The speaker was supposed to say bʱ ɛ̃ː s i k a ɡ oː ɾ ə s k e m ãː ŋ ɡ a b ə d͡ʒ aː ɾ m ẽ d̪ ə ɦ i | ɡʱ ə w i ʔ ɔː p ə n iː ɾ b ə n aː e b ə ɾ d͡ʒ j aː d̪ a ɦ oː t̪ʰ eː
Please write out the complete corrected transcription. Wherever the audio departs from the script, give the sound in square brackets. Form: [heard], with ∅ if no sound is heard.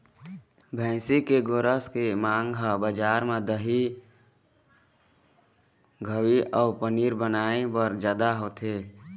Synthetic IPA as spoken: bʱ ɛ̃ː s i k [e] ɡ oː ɾ ə s k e m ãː ŋ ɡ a b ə d͡ʒ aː ɾ m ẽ d̪ ə ɦ i | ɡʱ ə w i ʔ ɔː p ə n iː ɾ b ə n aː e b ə ɾ d͡ʒ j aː d̪ a ɦ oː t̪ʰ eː